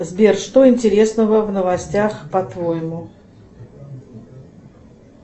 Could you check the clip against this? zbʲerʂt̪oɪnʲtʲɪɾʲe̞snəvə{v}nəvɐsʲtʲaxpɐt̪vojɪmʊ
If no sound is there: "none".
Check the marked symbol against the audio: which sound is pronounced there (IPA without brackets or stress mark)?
v